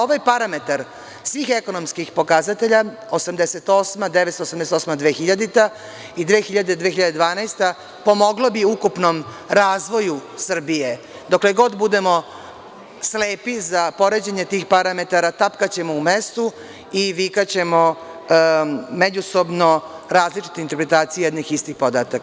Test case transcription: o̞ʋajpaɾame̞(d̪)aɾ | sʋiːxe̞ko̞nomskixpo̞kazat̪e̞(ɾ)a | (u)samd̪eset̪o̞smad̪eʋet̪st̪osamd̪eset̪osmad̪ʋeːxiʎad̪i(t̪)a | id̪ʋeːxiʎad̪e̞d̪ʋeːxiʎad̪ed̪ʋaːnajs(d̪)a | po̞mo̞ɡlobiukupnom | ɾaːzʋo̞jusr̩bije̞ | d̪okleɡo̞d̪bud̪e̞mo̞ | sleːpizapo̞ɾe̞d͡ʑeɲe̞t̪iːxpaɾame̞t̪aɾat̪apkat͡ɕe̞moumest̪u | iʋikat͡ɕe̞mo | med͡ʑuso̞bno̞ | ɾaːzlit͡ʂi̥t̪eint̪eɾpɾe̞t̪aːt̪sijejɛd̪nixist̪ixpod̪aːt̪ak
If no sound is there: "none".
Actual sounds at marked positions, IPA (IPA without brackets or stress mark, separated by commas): t̪, ʎ, o, t̪, t̪